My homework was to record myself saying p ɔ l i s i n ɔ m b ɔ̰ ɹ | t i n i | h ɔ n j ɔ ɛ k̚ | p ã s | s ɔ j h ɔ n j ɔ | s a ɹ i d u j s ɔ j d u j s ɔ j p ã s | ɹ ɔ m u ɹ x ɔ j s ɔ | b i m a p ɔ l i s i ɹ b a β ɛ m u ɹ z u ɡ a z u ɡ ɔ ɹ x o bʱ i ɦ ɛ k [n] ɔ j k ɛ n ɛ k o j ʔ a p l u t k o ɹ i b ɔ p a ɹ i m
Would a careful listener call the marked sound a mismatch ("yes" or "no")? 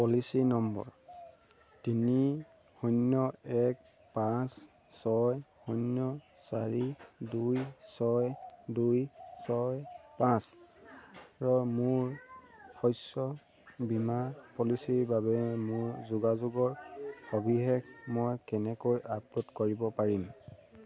yes